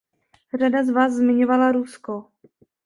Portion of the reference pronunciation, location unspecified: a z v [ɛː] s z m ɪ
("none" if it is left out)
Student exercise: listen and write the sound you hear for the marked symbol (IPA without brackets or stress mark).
aː